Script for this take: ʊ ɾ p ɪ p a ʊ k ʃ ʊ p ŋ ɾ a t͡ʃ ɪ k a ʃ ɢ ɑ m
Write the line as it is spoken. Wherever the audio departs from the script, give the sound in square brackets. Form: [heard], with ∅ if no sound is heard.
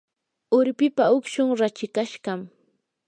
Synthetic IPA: ʊ ɾ p ɪ p a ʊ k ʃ ʊ [∅] ŋ ɾ a t͡ʃ ɪ k a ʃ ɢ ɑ m